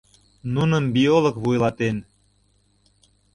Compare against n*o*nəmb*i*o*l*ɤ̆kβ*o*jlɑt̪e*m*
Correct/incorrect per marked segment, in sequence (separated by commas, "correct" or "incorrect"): incorrect, correct, correct, incorrect, incorrect